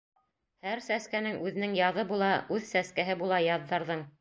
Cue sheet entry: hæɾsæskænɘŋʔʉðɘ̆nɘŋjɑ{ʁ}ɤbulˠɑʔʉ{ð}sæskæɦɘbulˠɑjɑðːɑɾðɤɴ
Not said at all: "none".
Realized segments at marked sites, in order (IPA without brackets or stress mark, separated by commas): ð, ð